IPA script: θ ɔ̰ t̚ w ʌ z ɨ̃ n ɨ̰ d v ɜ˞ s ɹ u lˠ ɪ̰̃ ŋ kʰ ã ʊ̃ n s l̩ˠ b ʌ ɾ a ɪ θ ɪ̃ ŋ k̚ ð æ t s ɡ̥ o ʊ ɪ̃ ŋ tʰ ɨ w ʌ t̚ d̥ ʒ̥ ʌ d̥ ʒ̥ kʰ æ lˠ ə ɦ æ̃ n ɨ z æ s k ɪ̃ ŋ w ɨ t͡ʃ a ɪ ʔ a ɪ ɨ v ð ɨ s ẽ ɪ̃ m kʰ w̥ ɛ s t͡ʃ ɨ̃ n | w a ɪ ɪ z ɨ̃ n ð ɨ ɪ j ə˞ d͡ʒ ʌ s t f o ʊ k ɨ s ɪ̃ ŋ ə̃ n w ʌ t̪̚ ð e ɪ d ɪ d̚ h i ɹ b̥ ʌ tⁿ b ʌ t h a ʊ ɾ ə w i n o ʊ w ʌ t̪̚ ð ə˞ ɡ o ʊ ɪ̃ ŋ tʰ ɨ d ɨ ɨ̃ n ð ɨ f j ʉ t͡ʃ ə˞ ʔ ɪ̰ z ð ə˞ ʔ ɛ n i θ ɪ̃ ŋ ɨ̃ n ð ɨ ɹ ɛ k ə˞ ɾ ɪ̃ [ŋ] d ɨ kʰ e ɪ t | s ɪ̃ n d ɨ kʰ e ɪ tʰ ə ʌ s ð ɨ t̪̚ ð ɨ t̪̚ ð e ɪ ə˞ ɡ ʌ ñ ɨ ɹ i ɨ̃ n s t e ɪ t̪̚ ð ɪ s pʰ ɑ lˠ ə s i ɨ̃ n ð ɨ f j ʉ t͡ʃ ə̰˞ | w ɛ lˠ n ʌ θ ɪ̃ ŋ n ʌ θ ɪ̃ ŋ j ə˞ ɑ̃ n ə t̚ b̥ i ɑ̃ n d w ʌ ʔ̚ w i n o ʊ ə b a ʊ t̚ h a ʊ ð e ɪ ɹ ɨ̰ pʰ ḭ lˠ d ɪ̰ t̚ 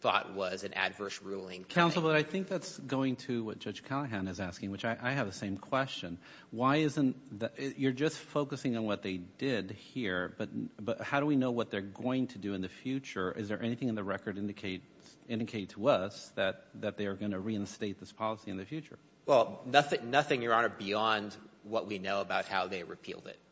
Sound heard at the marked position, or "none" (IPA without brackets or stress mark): n